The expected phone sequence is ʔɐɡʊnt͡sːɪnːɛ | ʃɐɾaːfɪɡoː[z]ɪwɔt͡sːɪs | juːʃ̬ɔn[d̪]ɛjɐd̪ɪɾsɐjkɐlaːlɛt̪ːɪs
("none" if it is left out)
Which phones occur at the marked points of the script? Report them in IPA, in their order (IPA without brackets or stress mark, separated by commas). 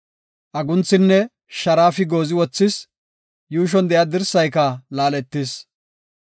z, d̪